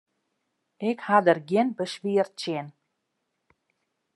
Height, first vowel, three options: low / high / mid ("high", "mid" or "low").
high